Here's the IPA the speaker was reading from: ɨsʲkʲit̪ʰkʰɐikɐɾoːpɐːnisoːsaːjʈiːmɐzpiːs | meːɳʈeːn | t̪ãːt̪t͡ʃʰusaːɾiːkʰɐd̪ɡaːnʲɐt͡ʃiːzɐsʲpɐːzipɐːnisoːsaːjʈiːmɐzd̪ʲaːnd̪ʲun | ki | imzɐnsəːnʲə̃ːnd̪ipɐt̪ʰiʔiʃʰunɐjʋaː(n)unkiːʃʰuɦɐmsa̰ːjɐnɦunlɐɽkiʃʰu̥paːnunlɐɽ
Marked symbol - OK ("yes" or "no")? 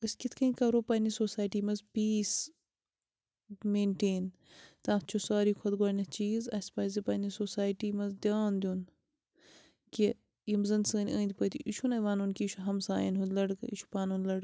yes